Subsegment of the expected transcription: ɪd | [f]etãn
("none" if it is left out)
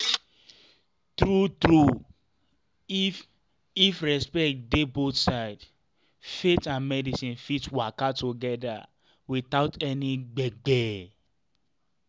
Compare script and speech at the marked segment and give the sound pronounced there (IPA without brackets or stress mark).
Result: f